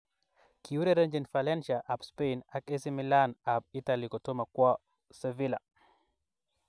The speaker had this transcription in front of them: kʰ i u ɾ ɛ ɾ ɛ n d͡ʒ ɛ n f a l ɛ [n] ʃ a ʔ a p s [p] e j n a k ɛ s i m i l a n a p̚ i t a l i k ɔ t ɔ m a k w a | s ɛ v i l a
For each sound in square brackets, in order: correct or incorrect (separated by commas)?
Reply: correct, correct